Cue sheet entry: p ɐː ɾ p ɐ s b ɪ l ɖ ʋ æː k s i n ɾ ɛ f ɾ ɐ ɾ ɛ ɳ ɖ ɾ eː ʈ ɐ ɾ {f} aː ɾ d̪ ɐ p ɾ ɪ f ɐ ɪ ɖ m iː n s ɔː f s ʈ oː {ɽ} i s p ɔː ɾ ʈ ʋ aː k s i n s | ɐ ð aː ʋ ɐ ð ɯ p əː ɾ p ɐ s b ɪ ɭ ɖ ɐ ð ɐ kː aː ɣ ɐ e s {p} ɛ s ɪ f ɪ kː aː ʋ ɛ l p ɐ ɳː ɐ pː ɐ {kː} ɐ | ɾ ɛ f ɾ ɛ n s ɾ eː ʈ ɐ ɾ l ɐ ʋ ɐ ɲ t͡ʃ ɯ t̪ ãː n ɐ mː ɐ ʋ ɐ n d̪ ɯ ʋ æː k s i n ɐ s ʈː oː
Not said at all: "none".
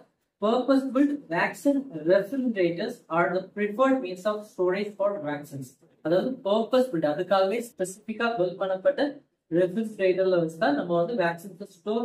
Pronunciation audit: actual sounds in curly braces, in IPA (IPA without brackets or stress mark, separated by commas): s, ɾ, p, ʈː